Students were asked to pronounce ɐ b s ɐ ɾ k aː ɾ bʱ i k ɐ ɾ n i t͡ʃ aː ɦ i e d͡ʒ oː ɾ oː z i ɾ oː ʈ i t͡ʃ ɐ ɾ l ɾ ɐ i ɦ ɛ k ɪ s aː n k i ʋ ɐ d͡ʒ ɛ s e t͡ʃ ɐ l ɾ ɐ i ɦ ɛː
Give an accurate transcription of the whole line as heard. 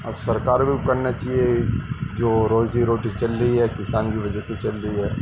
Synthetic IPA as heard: ɐ b s ɐ ɾ k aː ɾ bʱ i k ɐ ɾ n a t͡ʃ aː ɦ i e d͡ʒ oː ɾ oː z i ɾ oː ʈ i t͡ʃ ɐ l ɾ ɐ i ɦ ɛ k ɪ s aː n k i ʋ ɐ d͡ʒ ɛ s e t͡ʃ ɐ l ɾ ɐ i ɦ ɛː